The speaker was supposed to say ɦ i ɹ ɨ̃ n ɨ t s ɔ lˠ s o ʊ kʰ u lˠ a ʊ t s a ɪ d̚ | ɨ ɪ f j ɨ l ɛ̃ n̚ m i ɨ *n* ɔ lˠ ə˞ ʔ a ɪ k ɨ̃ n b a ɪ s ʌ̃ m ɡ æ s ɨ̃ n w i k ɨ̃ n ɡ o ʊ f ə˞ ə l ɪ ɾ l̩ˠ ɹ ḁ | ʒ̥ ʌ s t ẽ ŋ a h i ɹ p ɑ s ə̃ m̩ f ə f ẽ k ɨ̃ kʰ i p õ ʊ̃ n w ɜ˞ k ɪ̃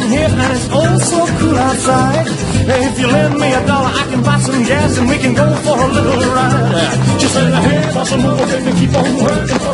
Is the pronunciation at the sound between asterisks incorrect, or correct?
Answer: incorrect